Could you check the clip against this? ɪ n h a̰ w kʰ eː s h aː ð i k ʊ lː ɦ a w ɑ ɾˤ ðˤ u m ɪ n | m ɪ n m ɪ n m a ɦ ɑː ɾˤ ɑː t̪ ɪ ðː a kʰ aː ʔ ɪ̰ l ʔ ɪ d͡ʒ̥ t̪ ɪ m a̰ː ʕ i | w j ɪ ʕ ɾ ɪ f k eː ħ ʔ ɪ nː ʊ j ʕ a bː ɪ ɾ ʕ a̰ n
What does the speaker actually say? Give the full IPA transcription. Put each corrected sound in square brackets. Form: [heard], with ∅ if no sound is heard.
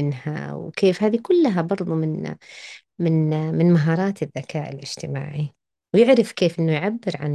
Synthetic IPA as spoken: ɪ n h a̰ w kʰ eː [f] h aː ð i k ʊ lː ɦ a [b] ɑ ɾˤ ðˤ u m ɪ n | m ɪ n m ɪ n m a ɦ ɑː ɾˤ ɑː t̪ ɪ ðː a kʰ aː ʔ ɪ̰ l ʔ ɪ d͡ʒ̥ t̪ ɪ m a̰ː ʕ i | w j ɪ ʕ ɾ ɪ f k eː [f] ʔ ɪ nː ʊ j ʕ a bː ɪ ɾ ʕ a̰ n